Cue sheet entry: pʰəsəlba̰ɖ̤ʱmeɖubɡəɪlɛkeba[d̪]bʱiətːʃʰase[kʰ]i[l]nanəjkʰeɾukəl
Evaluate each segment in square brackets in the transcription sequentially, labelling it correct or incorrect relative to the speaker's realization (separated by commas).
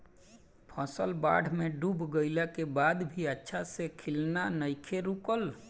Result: correct, correct, correct